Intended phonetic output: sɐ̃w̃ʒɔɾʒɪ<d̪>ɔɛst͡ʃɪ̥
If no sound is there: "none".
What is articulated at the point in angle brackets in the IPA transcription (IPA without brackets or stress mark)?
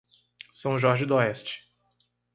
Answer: d̪